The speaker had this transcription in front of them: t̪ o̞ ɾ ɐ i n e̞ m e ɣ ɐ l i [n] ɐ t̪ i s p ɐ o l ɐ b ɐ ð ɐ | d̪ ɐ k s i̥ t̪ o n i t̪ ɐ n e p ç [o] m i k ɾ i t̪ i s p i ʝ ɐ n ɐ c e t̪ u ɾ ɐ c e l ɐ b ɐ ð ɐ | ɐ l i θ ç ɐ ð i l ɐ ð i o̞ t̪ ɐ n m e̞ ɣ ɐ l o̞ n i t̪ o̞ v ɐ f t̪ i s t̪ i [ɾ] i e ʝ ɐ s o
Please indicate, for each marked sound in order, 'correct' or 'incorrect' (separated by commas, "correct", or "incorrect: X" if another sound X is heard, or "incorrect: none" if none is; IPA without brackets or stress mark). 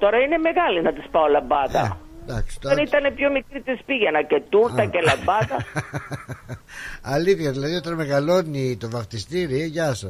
correct, correct, correct